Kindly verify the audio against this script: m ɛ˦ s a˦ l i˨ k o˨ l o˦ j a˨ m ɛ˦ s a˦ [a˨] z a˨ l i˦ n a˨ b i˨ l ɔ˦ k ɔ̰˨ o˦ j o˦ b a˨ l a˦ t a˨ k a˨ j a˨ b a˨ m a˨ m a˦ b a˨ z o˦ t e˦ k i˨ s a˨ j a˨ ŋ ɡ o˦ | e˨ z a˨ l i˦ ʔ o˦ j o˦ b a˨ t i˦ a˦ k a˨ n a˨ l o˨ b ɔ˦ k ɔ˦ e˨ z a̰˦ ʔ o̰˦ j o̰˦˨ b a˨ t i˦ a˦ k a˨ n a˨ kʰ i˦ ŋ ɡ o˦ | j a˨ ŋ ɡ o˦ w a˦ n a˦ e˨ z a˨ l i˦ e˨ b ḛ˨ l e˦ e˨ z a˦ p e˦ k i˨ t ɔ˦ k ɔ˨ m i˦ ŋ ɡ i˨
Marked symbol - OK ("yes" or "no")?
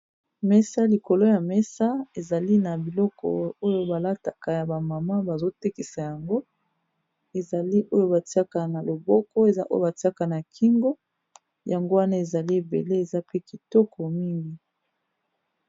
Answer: no